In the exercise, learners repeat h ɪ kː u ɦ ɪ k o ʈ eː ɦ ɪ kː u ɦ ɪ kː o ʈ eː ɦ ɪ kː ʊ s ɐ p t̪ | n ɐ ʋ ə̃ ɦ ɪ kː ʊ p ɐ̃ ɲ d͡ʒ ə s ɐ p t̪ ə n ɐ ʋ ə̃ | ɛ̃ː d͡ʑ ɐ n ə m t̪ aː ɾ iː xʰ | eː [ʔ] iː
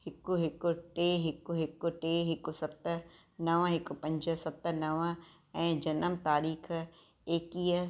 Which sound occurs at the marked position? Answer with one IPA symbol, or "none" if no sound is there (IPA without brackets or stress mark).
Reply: k